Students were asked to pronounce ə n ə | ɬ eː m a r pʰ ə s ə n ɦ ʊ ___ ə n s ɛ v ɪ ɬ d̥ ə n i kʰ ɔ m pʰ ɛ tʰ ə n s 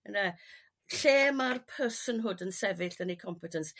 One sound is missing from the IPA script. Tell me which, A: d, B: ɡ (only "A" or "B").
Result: A